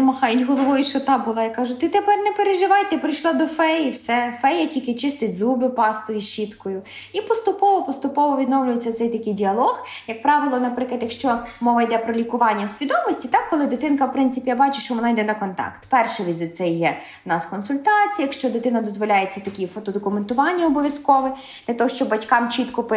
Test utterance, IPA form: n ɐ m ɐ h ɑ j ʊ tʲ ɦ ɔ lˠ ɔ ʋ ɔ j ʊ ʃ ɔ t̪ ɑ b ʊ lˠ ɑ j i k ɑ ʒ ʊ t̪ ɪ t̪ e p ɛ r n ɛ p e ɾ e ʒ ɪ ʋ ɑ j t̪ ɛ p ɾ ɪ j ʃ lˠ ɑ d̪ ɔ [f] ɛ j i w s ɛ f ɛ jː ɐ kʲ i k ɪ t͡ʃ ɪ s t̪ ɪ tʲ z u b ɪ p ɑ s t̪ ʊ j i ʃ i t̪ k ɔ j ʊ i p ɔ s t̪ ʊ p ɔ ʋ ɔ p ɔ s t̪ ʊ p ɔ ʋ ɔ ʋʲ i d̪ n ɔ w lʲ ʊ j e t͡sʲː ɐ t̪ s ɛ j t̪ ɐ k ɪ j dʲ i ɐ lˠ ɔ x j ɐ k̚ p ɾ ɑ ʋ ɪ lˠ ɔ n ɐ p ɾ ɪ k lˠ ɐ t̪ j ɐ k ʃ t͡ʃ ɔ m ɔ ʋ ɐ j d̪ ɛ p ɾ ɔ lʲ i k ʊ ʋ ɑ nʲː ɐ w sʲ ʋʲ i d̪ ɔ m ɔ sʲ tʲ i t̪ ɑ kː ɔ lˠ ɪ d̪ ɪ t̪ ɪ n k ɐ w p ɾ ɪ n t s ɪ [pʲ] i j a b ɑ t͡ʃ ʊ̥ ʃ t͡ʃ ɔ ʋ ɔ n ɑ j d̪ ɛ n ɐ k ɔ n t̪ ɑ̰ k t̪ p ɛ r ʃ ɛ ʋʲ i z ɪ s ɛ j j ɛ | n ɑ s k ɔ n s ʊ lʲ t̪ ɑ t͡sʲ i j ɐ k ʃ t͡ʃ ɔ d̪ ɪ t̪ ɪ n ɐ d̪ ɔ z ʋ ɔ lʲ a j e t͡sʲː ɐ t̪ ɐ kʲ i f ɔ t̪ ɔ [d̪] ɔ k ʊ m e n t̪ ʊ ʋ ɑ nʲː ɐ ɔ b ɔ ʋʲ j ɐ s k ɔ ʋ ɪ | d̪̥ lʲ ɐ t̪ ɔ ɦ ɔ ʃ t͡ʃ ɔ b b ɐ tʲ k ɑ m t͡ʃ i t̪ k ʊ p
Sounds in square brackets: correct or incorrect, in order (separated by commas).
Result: correct, correct, correct